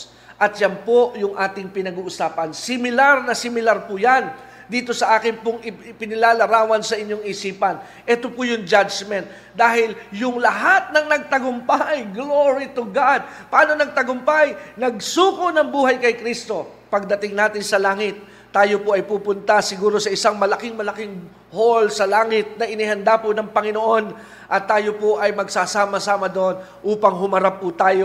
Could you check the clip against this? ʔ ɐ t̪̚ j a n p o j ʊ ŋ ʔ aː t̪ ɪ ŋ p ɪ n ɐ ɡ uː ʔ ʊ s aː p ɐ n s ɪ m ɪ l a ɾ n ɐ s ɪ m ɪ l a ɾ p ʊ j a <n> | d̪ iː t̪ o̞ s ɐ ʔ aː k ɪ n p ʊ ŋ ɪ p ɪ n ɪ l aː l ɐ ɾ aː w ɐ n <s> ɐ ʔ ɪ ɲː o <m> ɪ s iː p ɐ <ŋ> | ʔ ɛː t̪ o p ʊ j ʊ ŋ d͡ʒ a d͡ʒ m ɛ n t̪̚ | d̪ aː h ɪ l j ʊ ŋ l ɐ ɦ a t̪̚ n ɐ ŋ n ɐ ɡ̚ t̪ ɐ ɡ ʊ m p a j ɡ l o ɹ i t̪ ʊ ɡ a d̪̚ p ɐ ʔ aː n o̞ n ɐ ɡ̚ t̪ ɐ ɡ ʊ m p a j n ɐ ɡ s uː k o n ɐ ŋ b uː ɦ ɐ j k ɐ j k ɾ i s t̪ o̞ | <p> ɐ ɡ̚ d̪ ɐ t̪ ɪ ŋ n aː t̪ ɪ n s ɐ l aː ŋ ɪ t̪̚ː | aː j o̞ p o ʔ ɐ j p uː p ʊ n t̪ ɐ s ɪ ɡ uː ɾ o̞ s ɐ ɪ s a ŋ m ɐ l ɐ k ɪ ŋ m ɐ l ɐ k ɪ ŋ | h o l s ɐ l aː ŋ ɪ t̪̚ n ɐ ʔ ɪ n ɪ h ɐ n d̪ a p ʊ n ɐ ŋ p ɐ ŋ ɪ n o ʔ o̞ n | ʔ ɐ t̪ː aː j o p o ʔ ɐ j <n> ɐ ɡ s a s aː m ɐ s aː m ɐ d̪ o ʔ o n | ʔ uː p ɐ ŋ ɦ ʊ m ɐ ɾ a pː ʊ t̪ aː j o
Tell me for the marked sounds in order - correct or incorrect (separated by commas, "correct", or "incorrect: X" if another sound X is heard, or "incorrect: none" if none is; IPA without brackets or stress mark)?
correct, correct, incorrect: ŋ, incorrect: n, correct, incorrect: m